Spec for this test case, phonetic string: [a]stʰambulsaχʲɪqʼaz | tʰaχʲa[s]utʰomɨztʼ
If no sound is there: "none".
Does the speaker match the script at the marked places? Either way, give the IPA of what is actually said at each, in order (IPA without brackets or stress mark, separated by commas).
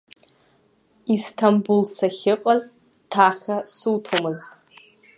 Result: i, s